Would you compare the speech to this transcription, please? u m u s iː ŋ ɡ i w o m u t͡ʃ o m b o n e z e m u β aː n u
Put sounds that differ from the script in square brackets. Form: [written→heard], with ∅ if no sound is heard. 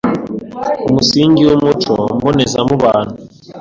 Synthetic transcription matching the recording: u m u s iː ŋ ɡ i w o m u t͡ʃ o m b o n e z [e→a] m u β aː n u